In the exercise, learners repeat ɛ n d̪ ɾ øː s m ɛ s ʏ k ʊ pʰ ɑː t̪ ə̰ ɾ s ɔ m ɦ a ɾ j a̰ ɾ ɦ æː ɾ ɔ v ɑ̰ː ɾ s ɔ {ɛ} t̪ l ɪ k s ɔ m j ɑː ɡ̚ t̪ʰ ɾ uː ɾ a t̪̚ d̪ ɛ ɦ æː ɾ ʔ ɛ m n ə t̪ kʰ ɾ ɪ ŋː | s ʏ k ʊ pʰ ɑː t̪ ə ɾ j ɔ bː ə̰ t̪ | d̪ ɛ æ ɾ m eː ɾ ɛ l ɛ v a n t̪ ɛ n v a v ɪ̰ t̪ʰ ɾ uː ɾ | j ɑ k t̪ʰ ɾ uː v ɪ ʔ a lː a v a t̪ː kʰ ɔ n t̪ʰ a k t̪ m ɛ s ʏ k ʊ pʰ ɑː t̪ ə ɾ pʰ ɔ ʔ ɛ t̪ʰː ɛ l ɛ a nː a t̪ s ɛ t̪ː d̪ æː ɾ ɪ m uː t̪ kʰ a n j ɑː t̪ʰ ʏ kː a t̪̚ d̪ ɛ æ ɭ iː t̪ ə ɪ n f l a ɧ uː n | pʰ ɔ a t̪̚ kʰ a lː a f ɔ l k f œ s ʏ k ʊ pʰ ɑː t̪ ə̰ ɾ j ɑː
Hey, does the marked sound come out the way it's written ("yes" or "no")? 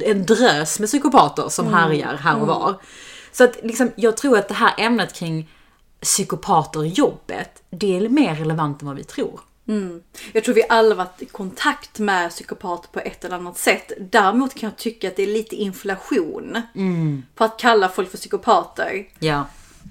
no